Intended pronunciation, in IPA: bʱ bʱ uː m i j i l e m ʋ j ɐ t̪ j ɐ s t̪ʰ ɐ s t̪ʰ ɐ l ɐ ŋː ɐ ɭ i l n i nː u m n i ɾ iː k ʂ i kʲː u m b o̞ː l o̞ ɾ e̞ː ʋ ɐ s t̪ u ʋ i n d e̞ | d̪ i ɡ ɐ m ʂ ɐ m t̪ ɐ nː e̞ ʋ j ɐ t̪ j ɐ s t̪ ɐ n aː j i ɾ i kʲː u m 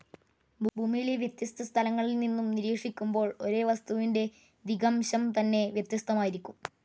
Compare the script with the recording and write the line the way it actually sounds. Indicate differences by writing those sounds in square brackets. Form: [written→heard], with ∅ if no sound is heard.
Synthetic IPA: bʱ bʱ uː m i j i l e [m→∅] ʋ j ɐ t̪ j ɐ s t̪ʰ ɐ s t̪ʰ ɐ l ɐ ŋː ɐ ɭ i l n i nː u m n i ɾ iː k ʂ i kʲː u m b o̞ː [l→ɭ] o̞ ɾ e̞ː ʋ ɐ s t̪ u ʋ i n d e̞ | d̪ i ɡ ɐ m [ʂ→ɕ] ɐ m t̪ ɐ nː e̞ ʋ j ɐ t̪ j ɐ s t̪ ɐ [n→m] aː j i ɾ i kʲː u m